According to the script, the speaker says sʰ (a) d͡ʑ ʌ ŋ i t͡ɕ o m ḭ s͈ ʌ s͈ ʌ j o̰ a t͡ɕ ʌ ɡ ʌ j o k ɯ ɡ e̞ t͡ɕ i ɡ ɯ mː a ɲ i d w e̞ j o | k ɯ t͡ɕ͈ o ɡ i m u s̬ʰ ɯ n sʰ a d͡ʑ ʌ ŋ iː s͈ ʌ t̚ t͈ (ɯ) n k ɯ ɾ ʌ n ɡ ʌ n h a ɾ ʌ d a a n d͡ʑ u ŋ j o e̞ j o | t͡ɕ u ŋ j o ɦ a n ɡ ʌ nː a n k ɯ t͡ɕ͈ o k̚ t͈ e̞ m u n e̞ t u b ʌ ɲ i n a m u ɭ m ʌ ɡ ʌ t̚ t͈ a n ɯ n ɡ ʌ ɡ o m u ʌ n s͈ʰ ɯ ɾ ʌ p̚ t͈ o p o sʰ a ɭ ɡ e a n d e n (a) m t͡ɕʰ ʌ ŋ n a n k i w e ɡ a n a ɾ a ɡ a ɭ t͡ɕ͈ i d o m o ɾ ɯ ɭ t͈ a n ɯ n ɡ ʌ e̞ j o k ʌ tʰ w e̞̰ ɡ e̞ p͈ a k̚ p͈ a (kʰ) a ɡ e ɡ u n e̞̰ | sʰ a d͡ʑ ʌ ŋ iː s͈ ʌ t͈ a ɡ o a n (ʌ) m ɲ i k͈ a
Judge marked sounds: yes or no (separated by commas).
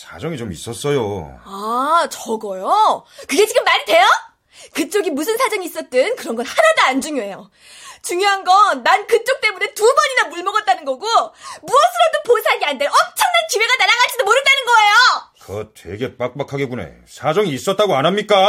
yes, yes, no, yes, no